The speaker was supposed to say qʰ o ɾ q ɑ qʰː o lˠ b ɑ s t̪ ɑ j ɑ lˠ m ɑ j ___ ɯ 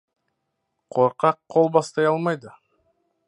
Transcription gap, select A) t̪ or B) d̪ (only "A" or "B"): B